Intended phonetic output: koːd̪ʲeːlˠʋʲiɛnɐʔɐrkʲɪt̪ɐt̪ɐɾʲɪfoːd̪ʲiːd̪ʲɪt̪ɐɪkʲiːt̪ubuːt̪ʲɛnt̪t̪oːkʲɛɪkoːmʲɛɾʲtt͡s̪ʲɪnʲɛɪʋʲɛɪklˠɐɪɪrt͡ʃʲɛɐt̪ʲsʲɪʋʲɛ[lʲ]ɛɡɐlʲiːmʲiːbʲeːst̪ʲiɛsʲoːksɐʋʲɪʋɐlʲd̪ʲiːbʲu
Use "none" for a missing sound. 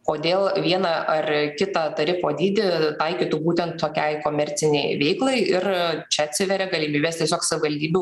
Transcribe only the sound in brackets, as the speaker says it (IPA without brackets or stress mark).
ɾʲ